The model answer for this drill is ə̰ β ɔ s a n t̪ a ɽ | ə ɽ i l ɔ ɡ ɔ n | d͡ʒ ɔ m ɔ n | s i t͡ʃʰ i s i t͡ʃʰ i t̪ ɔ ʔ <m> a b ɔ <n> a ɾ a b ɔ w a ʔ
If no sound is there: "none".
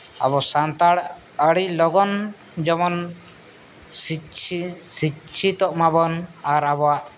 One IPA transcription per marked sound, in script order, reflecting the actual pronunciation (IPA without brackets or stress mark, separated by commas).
m, n